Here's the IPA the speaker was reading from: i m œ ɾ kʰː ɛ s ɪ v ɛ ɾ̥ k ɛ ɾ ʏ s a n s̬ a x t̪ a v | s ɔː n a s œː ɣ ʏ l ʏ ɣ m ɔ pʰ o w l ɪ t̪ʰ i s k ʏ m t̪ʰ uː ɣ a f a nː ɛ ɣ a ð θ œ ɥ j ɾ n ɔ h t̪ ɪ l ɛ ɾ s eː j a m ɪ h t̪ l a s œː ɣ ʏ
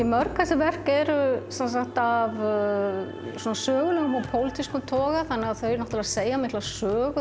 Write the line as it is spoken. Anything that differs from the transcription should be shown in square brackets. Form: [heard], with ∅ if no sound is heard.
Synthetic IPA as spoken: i m œ ɾ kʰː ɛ s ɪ v ɛ [r̥] k ɛ ɾ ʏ s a n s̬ a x t̪ a v | s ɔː n a s œː ɣ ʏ l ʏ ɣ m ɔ pʰ o w l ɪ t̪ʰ i s k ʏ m t̪ʰ [ɔː] ɣ a [θ] a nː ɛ ɣ a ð θ œ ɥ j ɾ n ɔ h t̪ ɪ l [a] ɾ s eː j a m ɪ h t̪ l a s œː ɣ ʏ